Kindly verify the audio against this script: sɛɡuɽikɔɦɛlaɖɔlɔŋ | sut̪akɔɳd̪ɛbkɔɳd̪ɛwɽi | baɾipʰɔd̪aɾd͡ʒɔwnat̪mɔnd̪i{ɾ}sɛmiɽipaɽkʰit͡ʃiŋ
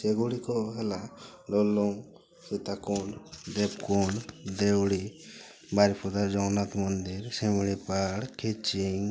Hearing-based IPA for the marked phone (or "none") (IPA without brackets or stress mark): ɾ